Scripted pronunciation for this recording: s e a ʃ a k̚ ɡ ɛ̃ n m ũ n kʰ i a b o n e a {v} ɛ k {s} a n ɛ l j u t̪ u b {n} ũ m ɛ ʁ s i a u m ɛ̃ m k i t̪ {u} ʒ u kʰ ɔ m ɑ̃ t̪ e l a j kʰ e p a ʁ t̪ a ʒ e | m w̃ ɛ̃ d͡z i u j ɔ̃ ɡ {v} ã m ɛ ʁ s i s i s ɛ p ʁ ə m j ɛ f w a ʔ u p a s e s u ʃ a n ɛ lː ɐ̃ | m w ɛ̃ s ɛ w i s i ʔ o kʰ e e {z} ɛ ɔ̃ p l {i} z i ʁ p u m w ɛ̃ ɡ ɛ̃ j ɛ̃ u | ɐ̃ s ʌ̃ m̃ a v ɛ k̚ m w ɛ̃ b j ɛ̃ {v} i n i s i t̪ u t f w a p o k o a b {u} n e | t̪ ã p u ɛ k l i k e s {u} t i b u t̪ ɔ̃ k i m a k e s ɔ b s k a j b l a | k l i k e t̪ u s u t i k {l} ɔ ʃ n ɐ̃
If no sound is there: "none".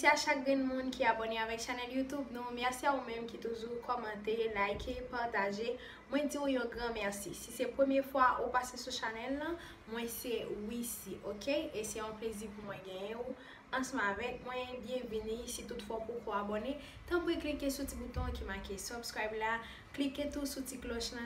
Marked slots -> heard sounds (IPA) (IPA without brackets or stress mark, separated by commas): v, ʃ, n, u, ʁ, s, e, v, o, u, l